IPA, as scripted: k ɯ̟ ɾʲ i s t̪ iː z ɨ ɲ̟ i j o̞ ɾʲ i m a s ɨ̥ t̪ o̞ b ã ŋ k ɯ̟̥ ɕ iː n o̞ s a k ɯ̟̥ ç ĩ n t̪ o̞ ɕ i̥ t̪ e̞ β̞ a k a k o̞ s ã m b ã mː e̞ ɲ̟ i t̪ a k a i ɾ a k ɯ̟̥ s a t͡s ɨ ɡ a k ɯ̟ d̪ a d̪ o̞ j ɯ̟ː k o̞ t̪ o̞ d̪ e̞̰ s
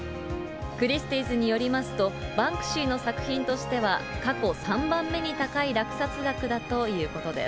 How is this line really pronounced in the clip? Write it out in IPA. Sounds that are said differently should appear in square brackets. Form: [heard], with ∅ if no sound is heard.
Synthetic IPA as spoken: k ɯ̟ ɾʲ i s t̪ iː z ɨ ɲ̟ i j o̞ ɾʲ i m a s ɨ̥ t̪ o̞ b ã ŋ k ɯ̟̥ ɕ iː n o̞ s a k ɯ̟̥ ç ĩ n t̪ o̞ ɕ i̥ t̪ e̞ β̞ a k a k o̞ s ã m b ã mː e̞ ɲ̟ i t̪ a k a i ɾ a k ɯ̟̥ s a t͡s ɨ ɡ a k ɯ̟ d̪ a [t̪] o̞ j ɯ̟ː k o̞ t̪ o̞ d̪ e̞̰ s